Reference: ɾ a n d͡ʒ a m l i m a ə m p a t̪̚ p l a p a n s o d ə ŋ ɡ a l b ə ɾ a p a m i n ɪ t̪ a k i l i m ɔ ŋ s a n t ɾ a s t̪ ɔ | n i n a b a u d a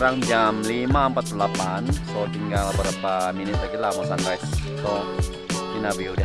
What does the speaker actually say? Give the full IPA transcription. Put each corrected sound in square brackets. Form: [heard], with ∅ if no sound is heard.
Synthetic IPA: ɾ a [ŋ] d͡ʒ a m l i m a ə m p a t̪̚ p l a p a n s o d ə ŋ ɡ a l b ə ɾ a p a m i n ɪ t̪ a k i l [a] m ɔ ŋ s a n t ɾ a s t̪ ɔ | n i n a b [i] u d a